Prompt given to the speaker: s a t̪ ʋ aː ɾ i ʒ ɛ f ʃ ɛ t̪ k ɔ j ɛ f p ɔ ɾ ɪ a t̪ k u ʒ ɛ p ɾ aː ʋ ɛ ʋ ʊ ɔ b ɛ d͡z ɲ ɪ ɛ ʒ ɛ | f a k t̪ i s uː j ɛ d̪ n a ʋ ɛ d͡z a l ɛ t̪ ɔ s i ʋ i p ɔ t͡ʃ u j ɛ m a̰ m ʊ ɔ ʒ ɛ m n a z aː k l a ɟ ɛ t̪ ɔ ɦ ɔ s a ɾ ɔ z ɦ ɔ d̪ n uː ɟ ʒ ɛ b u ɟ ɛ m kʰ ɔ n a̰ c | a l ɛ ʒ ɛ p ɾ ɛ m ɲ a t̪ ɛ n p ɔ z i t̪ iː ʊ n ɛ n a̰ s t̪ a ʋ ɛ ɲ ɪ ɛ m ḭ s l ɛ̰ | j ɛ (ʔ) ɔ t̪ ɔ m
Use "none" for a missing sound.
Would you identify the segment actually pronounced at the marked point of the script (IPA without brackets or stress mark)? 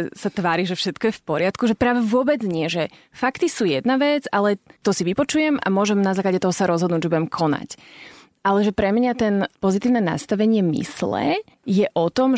ʔ